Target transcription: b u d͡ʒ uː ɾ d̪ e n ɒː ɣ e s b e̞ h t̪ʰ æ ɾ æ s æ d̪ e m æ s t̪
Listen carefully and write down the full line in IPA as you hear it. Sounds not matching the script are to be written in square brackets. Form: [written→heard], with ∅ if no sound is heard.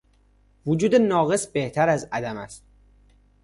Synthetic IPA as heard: [b→v] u d͡ʒ uː [ɾ→∅] d̪ e n ɒː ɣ e s b e̞ h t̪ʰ æ ɾ æ [s→z] æ d̪ [e→æ] m æ s t̪